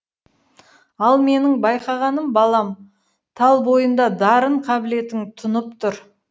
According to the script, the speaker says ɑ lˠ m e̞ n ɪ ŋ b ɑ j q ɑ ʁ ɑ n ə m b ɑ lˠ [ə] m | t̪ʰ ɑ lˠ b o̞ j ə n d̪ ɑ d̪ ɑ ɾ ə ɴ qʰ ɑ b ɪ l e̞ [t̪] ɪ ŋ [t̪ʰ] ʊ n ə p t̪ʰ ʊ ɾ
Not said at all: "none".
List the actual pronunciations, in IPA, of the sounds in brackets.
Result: ɑ, t̪, t̪ʰ

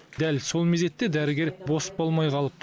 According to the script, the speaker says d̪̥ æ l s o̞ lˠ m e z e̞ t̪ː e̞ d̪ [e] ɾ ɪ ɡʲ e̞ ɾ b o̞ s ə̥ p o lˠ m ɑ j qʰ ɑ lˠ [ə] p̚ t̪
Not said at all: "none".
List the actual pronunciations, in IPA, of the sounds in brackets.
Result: æ, ə

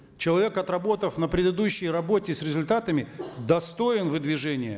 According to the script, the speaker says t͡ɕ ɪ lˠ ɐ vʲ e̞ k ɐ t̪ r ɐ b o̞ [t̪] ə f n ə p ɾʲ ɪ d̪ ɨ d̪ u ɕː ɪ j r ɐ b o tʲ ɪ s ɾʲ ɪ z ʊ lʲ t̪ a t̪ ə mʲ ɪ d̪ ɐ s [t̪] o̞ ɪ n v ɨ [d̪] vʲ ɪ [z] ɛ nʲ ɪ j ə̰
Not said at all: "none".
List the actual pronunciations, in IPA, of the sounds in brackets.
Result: t̪, t̪, d̪, ʐ

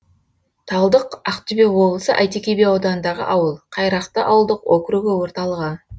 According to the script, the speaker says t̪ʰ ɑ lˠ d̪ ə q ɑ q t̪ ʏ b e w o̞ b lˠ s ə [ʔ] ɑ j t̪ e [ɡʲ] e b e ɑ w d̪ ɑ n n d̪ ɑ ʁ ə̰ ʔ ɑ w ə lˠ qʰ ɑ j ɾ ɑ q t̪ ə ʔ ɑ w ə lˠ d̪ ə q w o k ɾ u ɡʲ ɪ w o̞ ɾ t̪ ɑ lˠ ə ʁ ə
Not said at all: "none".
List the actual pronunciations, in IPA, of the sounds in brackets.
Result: ʔ, kʲ

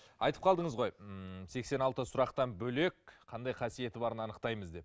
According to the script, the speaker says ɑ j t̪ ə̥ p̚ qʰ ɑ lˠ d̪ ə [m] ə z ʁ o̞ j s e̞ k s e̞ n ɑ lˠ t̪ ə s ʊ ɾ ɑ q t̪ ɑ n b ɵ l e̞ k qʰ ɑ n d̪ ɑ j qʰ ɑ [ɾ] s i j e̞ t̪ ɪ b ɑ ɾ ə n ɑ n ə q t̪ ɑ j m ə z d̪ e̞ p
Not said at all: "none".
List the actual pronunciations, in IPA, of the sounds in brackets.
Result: ɴ, none

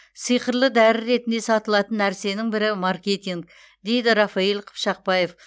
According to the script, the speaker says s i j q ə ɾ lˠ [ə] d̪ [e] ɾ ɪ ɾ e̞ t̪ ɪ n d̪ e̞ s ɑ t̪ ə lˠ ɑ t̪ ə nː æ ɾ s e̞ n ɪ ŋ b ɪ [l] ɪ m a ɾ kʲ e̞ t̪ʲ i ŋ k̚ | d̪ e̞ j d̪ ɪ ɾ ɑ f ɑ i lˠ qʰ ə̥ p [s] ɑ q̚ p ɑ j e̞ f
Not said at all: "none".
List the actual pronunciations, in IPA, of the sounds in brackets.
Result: ə, æ, ɾ, ʃ

